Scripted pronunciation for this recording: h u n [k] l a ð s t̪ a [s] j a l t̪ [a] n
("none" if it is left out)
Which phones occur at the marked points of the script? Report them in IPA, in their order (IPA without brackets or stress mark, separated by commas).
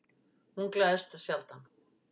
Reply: k, s, a